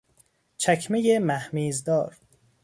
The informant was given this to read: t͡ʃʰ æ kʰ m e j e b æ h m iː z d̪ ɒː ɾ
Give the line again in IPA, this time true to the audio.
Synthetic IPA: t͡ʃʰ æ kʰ m e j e m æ h m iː z d̪ ɒː ɾ